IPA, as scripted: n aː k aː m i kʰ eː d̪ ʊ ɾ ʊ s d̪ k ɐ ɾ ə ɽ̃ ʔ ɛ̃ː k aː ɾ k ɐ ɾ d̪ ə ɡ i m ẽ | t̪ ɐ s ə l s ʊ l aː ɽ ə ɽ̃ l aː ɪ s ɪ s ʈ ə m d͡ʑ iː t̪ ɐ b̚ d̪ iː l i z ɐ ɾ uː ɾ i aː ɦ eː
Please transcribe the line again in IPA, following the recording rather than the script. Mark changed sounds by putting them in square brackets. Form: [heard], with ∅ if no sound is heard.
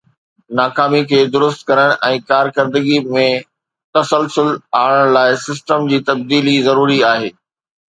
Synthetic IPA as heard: n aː k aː m i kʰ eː d̪ ʊ ɾ ʊ s [t̪] k ɐ ɾ ə ɽ̃ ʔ ɛ̃ː k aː ɾ k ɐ ɾ d̪ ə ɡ i m ẽ | t̪ ɐ s ə l s ʊ l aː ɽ ə ɽ̃ l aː ɪ s ɪ s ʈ ə m d͡ʑ iː t̪ ɐ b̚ d̪ iː l i z ɐ ɾ uː ɾ i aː ɦ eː

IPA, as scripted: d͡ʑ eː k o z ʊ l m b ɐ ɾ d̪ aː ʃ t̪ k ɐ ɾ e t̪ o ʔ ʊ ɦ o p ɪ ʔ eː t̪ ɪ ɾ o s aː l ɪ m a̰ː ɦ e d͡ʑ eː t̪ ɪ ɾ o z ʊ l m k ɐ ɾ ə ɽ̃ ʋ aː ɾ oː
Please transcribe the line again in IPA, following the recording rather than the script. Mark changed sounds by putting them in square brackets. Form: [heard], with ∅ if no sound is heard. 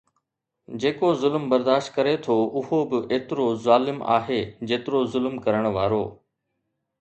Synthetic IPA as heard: d͡ʑ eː k o z ʊ l m b ɐ ɾ d̪ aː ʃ t̪ k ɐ ɾ e [t̪ʰ] o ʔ ʊ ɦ o [b] ɪ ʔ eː t̪ ɪ ɾ o [z] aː l ɪ m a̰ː ɦ e d͡ʑ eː t̪ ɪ ɾ o z ʊ l m k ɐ ɾ ə ɽ̃ ʋ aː ɾ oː

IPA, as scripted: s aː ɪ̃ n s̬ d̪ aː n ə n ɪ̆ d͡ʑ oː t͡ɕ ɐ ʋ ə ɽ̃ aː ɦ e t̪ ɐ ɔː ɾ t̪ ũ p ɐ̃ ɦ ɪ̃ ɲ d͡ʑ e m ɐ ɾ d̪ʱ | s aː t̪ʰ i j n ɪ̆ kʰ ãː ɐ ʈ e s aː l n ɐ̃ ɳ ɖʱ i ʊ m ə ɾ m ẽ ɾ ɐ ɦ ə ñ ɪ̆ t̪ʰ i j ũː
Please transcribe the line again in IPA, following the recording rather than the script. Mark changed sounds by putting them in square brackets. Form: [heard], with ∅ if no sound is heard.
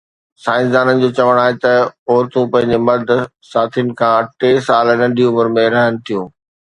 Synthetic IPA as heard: s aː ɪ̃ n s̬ d̪ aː n ə n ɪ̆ d͡ʑ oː t͡ɕ ɐ ʋ ə ɽ̃ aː ɦ e t̪ ɐ ɔː ɾ t̪ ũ p ɐ̃ ɦ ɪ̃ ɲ d͡ʑ e m ɐ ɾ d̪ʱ | s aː t̪ʰ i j n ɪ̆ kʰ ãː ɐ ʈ e s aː l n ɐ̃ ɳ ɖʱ i ʊ m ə ɾ m ẽ ɾ ɐ ɦ ə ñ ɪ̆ t̪ʰ i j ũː

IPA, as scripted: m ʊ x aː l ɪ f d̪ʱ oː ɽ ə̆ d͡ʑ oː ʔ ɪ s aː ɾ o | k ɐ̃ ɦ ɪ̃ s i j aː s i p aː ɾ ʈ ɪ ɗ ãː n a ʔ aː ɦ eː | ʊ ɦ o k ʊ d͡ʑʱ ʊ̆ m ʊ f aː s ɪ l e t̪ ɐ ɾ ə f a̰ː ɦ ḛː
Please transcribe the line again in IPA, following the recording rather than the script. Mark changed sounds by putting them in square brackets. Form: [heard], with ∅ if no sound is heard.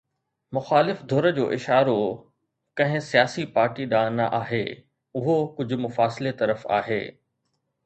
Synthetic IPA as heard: m ʊ x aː l ɪ f d̪ʱ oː [ɾ] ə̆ d͡ʑ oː ʔ ɪ [ʃ] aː ɾ o | k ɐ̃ ɦ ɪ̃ s i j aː s i p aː ɾ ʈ [i] ɗ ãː n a ʔ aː ɦ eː | ʊ ɦ o k ʊ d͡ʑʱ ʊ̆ m ʊ f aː s ɪ l e t̪ ɐ ɾ ə f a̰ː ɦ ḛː

